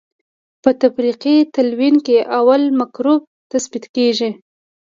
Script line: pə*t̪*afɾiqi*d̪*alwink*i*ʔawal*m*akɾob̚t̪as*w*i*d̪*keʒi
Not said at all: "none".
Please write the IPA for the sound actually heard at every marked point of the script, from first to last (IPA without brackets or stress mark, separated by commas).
t̪, t̪, e, m, b, t̪